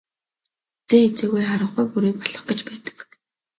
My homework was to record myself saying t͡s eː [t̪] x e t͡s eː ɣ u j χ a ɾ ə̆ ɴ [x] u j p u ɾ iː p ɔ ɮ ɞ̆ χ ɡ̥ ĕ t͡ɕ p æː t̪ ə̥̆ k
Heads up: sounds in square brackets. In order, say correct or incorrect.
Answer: incorrect, incorrect

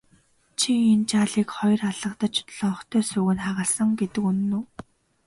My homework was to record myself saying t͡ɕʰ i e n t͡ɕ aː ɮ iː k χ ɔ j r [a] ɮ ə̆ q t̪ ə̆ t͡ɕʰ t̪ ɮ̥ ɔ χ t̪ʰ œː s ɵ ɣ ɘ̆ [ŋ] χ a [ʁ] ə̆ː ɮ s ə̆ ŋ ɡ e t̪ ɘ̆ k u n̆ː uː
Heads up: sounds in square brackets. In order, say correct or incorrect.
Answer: correct, incorrect, correct

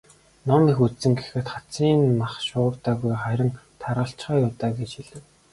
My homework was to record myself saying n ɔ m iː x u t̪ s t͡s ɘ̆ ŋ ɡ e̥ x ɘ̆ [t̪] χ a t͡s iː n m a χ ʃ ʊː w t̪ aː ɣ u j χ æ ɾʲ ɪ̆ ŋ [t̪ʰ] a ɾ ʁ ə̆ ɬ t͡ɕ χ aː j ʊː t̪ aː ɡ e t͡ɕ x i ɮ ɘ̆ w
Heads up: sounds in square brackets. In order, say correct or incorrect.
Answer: correct, correct

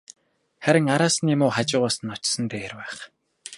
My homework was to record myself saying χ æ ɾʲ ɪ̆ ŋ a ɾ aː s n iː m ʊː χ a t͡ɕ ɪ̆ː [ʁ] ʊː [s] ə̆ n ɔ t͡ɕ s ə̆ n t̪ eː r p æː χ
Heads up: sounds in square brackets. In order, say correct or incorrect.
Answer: correct, correct

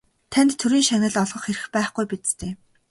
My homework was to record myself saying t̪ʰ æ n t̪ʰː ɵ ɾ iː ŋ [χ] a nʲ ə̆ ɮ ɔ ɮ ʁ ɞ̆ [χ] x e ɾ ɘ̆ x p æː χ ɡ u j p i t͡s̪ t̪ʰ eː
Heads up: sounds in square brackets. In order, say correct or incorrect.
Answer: incorrect, correct

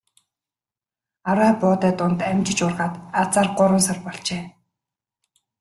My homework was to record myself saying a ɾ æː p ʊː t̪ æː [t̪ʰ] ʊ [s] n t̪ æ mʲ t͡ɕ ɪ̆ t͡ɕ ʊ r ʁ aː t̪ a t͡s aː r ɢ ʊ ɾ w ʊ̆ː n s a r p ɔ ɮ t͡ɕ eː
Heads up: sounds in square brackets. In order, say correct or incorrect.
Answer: incorrect, incorrect

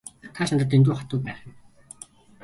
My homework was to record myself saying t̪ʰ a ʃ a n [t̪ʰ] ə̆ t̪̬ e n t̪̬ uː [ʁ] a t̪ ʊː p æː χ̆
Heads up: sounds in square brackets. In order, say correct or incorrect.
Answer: incorrect, incorrect

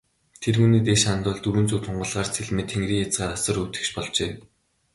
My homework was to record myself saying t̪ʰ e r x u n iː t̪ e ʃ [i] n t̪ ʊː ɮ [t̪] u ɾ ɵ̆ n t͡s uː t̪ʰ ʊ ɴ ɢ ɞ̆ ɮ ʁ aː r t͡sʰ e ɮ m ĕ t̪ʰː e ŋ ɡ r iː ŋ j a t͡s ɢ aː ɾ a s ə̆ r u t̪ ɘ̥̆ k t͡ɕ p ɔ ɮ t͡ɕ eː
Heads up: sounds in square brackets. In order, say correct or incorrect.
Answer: incorrect, correct

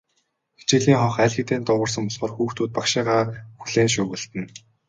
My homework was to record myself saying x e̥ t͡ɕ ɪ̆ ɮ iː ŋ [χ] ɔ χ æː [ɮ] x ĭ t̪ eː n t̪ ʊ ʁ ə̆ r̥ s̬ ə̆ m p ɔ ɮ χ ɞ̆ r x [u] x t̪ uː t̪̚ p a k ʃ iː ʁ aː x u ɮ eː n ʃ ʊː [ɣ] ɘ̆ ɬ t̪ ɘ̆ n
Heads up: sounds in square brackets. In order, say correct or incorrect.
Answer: correct, correct, incorrect, correct

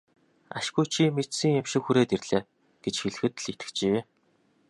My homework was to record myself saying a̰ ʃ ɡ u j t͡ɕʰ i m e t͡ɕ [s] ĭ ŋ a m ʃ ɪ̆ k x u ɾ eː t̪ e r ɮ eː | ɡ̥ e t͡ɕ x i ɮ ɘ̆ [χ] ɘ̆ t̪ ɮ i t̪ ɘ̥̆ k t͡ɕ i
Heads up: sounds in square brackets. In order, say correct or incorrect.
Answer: correct, incorrect

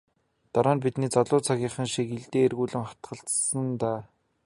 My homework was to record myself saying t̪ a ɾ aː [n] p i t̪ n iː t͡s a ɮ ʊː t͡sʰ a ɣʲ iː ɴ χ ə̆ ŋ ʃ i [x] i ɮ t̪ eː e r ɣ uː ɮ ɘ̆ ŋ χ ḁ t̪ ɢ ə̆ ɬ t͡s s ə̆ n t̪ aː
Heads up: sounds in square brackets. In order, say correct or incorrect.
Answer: correct, incorrect

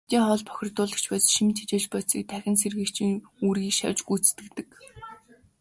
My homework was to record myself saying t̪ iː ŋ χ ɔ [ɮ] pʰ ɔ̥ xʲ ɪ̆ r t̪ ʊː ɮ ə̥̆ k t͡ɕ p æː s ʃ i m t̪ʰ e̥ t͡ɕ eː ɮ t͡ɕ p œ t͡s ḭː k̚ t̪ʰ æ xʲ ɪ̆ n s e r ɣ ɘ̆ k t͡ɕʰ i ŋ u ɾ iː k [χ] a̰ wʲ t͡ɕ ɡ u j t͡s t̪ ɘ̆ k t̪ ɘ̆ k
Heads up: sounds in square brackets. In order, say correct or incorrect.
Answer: correct, incorrect

